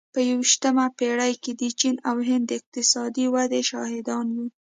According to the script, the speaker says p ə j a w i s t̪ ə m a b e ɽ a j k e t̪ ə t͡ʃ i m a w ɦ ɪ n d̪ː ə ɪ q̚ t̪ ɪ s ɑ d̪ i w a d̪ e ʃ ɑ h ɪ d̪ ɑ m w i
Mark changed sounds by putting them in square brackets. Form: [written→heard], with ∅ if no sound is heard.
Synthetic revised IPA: p ə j a w i [s→ʃ] t̪ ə m a [b→p] e ɽ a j k e [t̪→d̪] ə t͡ʃ i [m→n] a w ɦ ɪ n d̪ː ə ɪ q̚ t̪ ɪ s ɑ d̪ i w a d̪ e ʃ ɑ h ɪ d̪ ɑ [m→n] w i